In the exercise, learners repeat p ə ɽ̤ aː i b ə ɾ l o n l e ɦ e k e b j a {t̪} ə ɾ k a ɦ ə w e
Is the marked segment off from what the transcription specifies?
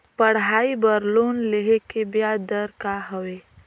yes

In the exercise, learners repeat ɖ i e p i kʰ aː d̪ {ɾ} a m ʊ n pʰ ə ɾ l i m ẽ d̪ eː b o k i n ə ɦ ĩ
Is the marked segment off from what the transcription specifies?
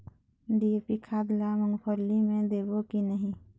yes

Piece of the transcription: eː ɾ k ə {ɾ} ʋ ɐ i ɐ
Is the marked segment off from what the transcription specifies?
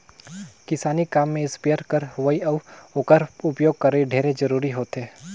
no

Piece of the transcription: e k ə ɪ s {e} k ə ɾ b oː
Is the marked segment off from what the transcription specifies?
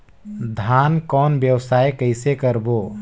no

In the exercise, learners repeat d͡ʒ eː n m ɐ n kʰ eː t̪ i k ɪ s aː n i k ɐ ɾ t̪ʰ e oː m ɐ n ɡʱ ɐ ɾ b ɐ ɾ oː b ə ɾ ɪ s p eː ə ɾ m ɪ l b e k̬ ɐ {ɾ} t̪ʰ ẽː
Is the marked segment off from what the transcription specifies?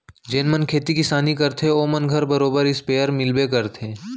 no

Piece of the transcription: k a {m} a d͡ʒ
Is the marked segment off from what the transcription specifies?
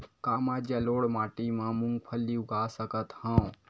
no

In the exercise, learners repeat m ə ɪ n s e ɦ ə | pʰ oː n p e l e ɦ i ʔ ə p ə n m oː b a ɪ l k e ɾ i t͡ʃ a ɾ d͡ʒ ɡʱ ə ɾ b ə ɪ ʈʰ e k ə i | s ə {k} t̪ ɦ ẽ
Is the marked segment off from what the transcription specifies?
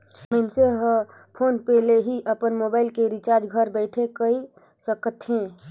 no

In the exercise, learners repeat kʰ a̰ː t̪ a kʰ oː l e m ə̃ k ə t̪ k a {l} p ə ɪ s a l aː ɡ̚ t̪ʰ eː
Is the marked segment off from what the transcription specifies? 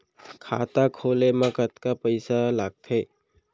yes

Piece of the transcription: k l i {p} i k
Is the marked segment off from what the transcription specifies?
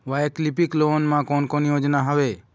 no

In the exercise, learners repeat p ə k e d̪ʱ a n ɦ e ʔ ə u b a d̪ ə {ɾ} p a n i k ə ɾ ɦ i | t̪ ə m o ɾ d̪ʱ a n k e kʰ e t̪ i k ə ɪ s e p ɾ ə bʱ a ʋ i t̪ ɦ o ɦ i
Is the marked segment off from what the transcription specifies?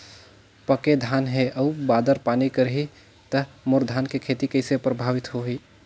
no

